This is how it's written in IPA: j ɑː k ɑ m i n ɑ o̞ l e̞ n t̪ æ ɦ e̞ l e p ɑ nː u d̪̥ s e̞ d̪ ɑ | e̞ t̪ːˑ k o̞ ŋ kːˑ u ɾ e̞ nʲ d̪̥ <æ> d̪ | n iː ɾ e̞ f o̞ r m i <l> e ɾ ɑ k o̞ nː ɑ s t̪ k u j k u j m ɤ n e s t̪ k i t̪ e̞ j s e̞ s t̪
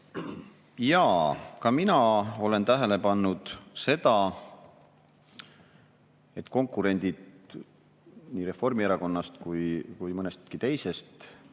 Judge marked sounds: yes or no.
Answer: no, no

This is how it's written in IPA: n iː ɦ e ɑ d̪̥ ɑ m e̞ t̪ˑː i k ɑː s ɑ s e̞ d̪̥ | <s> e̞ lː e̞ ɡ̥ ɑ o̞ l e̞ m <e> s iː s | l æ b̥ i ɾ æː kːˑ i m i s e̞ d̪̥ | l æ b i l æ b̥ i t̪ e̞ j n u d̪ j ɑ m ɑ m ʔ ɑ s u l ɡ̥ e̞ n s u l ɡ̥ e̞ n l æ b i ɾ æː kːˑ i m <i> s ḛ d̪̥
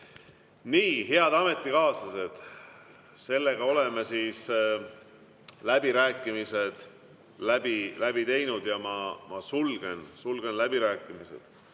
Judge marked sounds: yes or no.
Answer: yes, yes, yes

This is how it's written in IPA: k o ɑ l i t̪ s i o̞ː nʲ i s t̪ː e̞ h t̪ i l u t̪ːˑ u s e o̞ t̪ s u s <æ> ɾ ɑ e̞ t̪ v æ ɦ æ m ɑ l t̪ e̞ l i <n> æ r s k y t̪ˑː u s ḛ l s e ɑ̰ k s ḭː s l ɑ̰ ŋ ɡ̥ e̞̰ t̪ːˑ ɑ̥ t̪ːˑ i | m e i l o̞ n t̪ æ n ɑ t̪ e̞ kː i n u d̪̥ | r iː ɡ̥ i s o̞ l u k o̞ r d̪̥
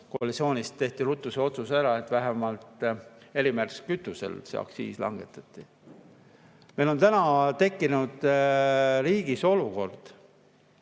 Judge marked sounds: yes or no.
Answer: yes, no

